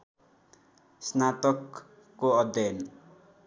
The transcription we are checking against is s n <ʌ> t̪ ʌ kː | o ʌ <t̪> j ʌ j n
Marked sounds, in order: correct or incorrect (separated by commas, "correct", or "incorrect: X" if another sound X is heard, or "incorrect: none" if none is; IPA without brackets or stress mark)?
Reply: incorrect: a, incorrect: d̪